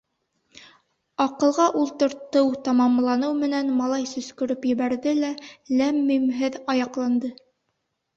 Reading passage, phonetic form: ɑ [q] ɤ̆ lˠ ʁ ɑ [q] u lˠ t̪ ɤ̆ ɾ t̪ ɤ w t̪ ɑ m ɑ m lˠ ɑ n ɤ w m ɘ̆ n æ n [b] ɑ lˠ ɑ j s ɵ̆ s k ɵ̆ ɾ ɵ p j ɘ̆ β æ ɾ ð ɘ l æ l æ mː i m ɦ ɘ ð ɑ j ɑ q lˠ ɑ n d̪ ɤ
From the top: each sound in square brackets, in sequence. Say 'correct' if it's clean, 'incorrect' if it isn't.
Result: correct, incorrect, incorrect

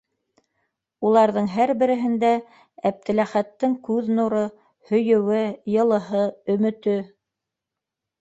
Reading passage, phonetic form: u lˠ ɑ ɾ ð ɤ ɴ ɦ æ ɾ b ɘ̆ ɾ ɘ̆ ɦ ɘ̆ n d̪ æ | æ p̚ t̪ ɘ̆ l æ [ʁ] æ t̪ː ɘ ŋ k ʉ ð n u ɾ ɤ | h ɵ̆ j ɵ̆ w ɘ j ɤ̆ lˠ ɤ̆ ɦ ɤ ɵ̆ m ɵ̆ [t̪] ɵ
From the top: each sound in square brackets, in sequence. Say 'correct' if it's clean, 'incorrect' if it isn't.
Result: incorrect, correct

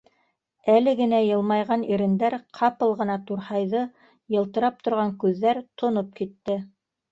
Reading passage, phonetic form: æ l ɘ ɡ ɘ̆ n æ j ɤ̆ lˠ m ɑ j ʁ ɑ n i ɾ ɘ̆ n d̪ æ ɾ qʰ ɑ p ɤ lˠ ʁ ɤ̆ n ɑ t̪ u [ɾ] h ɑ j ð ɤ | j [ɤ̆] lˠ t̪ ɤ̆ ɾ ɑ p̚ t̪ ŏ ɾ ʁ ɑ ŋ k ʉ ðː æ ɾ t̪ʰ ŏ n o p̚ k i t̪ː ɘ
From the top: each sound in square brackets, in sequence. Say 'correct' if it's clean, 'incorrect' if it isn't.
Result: correct, correct

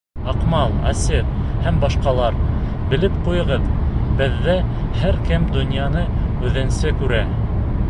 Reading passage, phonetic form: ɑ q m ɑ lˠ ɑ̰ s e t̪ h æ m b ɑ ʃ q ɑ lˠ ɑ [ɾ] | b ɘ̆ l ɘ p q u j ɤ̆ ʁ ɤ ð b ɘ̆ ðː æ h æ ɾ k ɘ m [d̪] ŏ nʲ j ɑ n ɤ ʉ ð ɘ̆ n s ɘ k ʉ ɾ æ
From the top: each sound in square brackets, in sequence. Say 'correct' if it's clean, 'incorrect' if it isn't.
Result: correct, correct

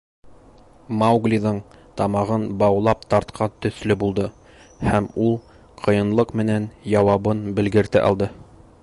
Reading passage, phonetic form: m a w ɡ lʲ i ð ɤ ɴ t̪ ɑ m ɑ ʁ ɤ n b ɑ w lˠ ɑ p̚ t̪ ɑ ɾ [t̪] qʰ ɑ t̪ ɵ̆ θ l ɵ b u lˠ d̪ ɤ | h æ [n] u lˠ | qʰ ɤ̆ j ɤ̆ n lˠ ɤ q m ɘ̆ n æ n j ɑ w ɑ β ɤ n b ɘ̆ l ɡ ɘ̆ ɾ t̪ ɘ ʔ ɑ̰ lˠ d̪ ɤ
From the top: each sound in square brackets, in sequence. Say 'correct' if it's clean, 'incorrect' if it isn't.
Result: correct, incorrect

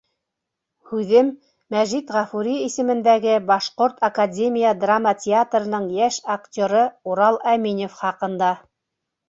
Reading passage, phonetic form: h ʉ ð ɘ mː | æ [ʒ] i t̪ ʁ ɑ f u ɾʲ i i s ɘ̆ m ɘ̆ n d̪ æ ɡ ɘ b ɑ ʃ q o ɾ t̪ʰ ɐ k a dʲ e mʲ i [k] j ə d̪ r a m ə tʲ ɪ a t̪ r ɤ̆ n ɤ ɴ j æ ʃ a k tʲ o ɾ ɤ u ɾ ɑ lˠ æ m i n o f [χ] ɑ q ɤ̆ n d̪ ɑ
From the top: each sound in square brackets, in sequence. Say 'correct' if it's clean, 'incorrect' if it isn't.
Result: correct, incorrect, correct

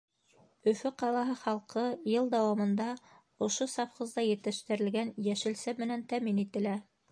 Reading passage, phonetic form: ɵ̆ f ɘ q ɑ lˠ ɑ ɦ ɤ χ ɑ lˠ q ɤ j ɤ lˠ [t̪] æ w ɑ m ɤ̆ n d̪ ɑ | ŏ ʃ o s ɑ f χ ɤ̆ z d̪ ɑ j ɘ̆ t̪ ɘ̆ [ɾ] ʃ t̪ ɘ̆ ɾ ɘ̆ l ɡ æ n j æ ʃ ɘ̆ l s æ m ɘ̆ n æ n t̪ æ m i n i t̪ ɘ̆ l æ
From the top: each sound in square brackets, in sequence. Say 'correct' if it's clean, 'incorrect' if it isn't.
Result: incorrect, incorrect

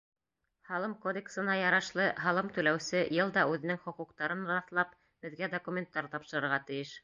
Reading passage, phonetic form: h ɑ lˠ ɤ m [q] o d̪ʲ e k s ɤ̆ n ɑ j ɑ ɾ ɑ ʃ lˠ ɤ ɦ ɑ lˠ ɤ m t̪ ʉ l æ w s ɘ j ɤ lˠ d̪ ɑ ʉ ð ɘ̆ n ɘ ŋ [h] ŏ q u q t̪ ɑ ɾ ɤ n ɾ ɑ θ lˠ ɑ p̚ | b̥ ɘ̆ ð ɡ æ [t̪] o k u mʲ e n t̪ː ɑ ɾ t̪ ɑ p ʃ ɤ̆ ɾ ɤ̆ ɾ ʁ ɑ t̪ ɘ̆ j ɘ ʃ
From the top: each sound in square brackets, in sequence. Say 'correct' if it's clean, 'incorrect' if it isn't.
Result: incorrect, incorrect, incorrect

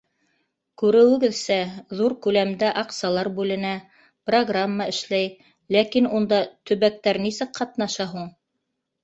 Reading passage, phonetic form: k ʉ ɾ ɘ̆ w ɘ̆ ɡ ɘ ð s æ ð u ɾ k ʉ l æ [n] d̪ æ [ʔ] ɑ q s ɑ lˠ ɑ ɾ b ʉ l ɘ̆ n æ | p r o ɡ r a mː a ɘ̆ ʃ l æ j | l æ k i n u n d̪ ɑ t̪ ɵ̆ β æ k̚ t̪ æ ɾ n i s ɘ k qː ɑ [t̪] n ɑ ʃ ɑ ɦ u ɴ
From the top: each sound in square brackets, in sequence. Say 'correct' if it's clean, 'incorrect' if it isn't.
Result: incorrect, correct, correct

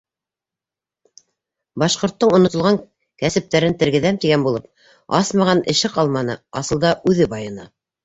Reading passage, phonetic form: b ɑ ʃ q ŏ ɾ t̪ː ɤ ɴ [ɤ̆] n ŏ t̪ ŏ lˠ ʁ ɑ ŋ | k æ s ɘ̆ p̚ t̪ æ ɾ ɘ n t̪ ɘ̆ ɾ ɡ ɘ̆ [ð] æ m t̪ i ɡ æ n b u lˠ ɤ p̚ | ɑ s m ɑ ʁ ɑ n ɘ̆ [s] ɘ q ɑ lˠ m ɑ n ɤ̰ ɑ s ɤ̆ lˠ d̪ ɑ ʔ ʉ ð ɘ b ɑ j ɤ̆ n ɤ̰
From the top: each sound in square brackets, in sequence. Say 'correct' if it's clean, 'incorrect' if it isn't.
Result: incorrect, correct, incorrect

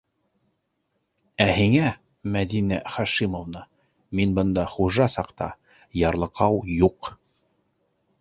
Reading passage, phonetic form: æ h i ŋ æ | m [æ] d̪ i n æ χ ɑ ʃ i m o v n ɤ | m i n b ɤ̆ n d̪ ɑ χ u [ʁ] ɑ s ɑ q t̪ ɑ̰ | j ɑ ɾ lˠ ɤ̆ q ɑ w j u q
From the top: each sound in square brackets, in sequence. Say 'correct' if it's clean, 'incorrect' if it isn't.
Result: correct, incorrect

